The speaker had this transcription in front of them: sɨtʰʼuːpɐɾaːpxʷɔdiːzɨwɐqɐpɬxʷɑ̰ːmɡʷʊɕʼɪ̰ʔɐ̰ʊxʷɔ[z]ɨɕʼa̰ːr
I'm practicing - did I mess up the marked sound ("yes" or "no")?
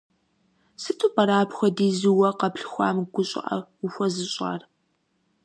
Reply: no